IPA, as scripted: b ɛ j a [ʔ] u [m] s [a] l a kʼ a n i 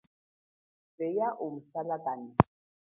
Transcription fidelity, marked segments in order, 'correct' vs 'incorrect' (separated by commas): correct, correct, correct